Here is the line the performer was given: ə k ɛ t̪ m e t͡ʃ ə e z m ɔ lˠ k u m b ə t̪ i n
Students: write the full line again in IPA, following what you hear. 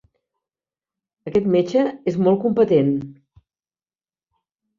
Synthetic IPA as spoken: ə k ɛ t̪ m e t͡ʃ ə e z m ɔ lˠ k u m p ə t̪ e n